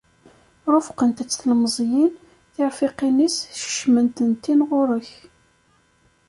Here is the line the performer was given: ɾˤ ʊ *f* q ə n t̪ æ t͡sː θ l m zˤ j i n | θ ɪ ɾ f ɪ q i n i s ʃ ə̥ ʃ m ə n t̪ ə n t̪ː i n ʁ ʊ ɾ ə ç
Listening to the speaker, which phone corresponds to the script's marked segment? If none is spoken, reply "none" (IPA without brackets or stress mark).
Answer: f